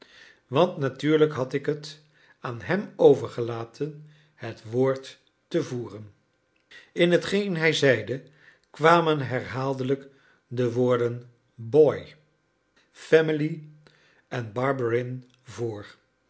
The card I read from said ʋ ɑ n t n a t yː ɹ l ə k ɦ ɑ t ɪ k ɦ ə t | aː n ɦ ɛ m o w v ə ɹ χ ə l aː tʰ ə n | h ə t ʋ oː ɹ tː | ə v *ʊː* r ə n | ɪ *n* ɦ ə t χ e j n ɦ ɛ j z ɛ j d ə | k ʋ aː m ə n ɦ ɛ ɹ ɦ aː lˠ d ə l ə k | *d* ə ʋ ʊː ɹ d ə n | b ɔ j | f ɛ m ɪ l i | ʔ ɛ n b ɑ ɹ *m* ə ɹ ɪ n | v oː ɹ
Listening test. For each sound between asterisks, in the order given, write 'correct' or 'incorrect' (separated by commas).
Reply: incorrect, correct, correct, incorrect